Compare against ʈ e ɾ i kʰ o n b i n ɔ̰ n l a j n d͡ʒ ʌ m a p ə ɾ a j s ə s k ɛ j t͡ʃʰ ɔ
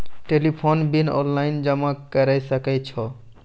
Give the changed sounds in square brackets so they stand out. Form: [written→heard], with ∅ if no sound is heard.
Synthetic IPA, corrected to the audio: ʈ e [ɾ→l] i [kʰ→pʰ] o n b i n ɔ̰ n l a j n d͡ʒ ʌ m a [p→k] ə ɾ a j s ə [s→∅] k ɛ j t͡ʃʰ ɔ